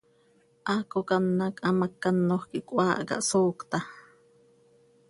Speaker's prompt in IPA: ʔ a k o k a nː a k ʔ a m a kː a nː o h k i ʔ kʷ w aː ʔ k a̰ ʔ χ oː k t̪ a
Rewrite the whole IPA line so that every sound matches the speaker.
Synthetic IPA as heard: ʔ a k o k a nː a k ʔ a m a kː a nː o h k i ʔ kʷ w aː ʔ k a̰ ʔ s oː k t̪ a